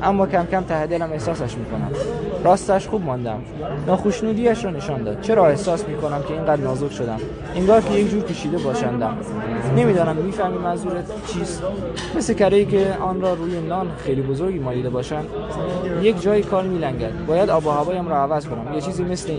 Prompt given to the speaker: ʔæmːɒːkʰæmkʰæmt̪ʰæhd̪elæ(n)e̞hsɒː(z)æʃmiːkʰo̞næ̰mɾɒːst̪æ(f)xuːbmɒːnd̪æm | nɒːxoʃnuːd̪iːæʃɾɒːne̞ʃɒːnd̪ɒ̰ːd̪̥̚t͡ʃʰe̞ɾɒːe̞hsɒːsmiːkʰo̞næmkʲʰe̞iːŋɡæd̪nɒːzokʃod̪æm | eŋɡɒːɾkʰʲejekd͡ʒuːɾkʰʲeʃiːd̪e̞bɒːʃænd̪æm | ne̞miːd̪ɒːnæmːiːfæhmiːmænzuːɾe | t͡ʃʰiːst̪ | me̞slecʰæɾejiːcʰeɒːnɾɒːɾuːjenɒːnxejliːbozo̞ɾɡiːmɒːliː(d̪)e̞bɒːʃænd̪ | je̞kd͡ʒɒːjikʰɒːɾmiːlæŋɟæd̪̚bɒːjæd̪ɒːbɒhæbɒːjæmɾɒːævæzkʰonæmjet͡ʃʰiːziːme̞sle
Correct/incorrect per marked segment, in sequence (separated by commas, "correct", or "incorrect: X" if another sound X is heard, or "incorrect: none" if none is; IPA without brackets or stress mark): incorrect: m, incorrect: s, incorrect: ʃ, correct